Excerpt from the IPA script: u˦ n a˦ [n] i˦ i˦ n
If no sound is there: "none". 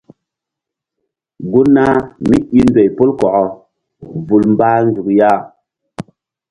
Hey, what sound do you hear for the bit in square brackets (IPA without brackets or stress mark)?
m